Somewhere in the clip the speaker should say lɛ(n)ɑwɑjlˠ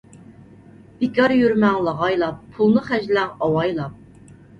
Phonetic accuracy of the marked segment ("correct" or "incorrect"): incorrect